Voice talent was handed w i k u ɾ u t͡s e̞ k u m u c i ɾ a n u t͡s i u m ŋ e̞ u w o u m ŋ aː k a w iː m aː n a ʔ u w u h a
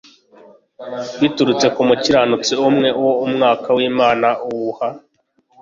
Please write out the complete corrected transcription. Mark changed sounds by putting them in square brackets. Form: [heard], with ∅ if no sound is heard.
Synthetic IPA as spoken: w i [t] u ɾ u t͡s e̞ k u m u c i ɾ a n u t͡s i u m ŋ e̞ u w o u m ŋ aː k a w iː m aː n a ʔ u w u h a

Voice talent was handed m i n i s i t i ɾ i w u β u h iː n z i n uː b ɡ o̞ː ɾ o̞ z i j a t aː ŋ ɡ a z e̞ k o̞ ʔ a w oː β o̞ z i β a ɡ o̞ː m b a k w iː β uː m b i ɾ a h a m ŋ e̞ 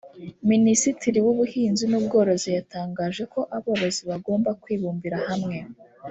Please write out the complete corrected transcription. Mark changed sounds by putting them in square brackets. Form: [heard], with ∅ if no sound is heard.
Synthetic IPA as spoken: m i n i s i t i ɾ i w u β u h iː n z i n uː b ɡ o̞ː ɾ o̞ z i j a t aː ŋ ɡ a [ʒ] e̞ k o̞ ʔ a [β] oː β o̞ z i β a ɡ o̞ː m b a k w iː β uː m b i ɾ a h a m ŋ e̞

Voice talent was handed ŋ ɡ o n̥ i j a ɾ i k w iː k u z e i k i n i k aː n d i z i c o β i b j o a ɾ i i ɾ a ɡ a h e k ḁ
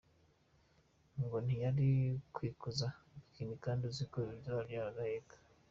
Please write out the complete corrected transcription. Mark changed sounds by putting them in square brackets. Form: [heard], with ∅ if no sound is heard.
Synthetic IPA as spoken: ŋ ɡ o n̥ i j a ɾ i k w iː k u z [a] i k i n i k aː n d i z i [k] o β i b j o a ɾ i [a] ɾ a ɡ a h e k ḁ

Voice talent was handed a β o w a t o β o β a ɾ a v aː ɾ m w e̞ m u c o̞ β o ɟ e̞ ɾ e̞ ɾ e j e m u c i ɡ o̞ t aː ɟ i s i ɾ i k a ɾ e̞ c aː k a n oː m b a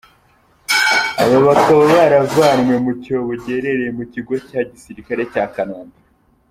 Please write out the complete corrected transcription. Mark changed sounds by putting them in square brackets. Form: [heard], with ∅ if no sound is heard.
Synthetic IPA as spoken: a β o [β] a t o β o β a ɾ a v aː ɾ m w e̞ m u c o̞ β o ɟ e̞ ɾ e̞ ɾ e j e m u c i ɡ o̞ [c] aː ɟ i s i ɾ i k a ɾ e̞ c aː k a n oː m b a

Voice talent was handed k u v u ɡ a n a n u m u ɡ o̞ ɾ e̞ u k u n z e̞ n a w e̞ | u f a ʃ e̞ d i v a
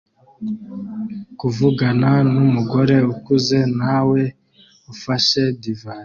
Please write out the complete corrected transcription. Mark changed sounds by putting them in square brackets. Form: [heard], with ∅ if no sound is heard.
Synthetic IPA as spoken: k u v u ɡ a n a n u m u ɡ o̞ ɾ e̞ u k u [∅] z e̞ n a w e̞ | u f a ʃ e̞ d i v a

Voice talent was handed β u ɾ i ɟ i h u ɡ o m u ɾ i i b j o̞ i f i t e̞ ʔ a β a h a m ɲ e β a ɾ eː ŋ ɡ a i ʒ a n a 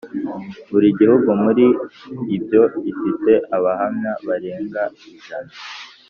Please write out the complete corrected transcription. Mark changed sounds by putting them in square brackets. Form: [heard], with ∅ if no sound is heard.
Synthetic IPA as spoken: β u ɾ i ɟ i h u ɡ [u] m u ɾ i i b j o̞ i f i t e̞ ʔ a β a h a m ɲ [a] β a ɾ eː ŋ ɡ a i ʒ a n a

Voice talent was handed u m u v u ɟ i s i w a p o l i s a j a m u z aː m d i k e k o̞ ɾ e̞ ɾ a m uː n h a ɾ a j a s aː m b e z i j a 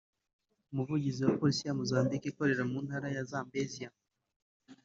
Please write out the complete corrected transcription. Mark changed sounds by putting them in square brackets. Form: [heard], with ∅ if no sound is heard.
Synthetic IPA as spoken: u m u v u ɟ i [z] i w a p o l i s [i] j a m u z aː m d i k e k o̞ ɾ e̞ ɾ a m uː n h a ɾ a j a [z] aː m b e z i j a

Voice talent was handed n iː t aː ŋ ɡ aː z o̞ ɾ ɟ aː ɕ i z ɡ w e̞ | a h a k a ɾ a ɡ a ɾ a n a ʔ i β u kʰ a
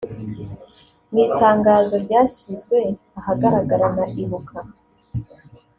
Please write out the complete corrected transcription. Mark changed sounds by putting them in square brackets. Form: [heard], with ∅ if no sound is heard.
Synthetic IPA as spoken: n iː t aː ŋ ɡ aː z o̞ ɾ ɟ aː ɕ i z ɡ w e̞ | a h a [ɡ] a ɾ a ɡ a ɾ a n a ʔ i β u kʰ a

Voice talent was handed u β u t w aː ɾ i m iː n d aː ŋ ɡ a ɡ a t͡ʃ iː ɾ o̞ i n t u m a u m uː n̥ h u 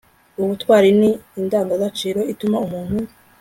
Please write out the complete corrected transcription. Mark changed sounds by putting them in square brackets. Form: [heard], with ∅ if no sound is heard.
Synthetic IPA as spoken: u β u t w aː ɾ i [n] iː n d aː ŋ ɡ a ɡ a t͡ʃ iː ɾ o̞ i [∅] t u m a u m uː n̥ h u

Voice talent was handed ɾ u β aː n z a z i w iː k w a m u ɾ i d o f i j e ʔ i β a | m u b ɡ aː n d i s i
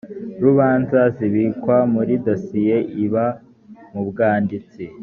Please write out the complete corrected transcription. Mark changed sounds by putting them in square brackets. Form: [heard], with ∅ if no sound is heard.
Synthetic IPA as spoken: ɾ u β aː n z a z i [β] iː k w a m u ɾ i d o [s] i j e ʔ i β a | m u b ɡ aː n d i [t͡s] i

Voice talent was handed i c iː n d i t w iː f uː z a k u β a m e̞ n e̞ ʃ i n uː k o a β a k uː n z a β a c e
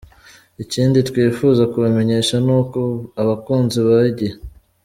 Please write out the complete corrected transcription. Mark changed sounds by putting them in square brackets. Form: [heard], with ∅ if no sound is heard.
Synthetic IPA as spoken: i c iː n d i t w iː f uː z a k u β a m e̞ [ɲ] e̞ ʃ [a] n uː k o a β a k uː n z [i] β a [ɟ] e

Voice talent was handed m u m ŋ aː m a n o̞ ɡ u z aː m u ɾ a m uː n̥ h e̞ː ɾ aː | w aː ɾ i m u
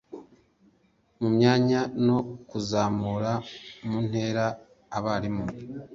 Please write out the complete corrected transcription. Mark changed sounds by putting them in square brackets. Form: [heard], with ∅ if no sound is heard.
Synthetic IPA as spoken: m u m [ɲ] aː [ɲ] a n o̞ [k] u z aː m u ɾ a m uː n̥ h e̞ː ɾ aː | [β] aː ɾ i m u

